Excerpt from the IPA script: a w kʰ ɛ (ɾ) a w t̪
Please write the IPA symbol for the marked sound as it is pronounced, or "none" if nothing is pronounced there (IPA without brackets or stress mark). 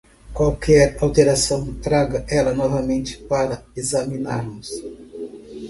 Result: ɾ